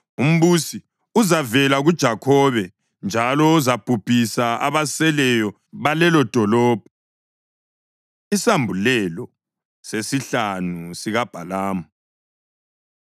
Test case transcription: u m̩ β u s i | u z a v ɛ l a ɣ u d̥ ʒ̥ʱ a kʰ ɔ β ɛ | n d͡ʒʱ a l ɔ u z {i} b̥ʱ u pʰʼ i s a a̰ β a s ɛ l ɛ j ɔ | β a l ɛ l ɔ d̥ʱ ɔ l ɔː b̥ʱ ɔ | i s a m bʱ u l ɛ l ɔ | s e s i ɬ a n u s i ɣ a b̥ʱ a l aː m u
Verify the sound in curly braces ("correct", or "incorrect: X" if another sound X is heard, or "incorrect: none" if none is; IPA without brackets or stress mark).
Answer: incorrect: a